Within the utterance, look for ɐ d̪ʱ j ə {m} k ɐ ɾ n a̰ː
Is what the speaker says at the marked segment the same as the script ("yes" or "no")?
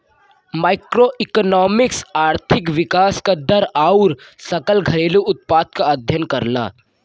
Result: no